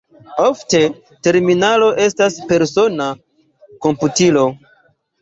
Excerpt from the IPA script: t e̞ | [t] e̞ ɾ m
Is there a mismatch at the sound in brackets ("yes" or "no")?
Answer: no